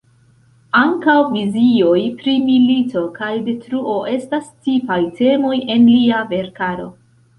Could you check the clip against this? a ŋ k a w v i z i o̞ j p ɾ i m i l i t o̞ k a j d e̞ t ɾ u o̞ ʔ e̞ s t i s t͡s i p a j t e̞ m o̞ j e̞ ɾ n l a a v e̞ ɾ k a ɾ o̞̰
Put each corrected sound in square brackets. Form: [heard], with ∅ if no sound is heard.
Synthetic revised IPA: a ŋ k a w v i z i o̞ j p ɾ i m i l i t o̞ k a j d e̞ t ɾ u o̞ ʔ e̞ s t [a] s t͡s i p a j t e̞ m o̞ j e̞ [∅] n l [i] a v e̞ ɾ k a ɾ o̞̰